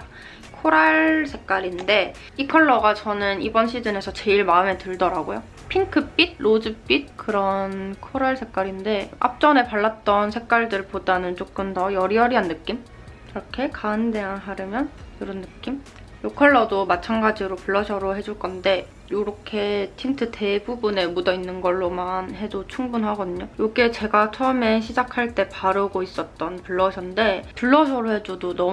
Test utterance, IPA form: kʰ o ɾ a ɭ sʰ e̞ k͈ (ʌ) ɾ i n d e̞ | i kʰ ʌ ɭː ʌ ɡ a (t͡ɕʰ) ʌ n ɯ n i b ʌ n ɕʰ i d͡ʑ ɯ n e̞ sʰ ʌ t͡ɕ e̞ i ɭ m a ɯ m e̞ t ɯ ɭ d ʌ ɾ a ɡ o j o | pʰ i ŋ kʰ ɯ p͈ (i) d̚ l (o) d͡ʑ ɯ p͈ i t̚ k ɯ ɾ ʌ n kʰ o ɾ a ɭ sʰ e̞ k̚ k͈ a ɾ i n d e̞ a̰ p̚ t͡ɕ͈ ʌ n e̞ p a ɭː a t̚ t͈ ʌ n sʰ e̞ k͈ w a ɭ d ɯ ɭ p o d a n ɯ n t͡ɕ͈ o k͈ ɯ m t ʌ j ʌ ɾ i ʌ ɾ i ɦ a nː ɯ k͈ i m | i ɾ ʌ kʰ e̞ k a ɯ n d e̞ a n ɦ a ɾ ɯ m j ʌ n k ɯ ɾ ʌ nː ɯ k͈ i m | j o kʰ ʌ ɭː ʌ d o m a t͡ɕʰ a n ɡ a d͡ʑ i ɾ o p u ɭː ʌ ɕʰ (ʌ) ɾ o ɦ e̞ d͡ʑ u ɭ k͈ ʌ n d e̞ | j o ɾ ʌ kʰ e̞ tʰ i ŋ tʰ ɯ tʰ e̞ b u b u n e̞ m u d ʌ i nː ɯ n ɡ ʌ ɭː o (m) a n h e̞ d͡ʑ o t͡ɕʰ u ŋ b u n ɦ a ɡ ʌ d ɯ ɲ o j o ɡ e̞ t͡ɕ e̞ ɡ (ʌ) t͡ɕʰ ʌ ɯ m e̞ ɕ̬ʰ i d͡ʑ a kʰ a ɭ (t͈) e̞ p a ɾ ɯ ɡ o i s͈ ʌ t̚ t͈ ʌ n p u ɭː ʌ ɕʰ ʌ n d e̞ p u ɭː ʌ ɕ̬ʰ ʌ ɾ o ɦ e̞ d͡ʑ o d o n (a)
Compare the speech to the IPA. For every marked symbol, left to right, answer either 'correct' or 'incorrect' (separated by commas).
incorrect, incorrect, correct, correct, correct, correct, incorrect, correct, incorrect